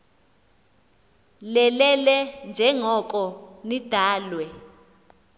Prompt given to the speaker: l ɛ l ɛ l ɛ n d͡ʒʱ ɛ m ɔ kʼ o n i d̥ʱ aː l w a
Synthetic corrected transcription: l ɛ l ɛ l ɛ n d͡ʒʱ ɛ ŋ ɔ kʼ ɔ n i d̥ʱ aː l w ɛ